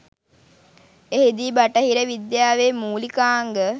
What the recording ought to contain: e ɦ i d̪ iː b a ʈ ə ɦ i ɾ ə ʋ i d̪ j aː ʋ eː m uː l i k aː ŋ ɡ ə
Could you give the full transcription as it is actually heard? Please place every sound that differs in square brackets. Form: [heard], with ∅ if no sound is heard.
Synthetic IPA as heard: e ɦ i d̪ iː b a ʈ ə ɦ i ɾ ə ʋ i d̪ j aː ʋ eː m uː l i k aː ŋ ɡ ə